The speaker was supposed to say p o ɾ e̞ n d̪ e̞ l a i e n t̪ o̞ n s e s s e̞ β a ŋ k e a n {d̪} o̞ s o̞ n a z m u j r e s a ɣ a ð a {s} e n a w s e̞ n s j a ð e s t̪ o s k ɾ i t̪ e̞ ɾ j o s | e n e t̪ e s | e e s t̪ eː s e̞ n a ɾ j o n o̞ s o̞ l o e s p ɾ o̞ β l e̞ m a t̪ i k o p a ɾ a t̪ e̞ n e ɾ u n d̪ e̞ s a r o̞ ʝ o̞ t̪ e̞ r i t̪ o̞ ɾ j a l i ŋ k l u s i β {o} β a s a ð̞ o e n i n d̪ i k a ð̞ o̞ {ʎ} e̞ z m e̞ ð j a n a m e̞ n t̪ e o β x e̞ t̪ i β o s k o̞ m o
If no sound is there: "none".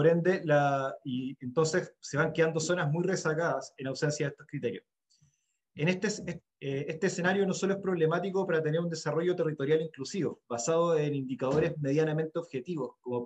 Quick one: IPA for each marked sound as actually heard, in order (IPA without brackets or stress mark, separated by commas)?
d̪, s, o, ɾ